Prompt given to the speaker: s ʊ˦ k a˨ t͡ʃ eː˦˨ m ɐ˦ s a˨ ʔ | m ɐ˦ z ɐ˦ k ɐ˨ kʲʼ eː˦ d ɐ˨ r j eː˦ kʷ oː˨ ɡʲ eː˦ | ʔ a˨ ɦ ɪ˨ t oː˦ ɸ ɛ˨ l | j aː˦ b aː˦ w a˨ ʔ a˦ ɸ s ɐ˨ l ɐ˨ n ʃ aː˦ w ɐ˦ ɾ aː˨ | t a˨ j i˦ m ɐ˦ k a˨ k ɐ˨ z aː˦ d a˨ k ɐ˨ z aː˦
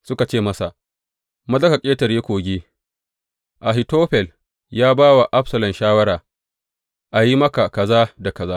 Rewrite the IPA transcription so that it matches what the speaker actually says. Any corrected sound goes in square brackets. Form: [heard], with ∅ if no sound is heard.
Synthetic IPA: s ʊ˦ k a˨ t͡ʃ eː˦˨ m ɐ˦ s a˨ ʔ | m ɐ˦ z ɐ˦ k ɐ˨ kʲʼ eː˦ [t] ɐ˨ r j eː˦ kʷ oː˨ ɡʲ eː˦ | ʔ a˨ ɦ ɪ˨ t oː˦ ɸ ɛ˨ l | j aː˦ b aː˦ w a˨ ʔ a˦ ɸ s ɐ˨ l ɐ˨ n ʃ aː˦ w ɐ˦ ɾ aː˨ | [ʔ] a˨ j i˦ m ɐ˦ k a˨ k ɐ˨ z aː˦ d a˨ k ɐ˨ z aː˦